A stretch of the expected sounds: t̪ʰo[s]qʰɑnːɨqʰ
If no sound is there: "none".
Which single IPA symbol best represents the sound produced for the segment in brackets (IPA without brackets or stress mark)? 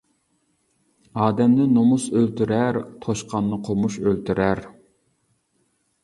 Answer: ʃ